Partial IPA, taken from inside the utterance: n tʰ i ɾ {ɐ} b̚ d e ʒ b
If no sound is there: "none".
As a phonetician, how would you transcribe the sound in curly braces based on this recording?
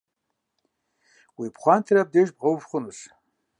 a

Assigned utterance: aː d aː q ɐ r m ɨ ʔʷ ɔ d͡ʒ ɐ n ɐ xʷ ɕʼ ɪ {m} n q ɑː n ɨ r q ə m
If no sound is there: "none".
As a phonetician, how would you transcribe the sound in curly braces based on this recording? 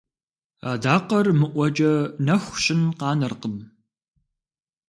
none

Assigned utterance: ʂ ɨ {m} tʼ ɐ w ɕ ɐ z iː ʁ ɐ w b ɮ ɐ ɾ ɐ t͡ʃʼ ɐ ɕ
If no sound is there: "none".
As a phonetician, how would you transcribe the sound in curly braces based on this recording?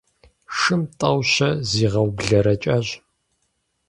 m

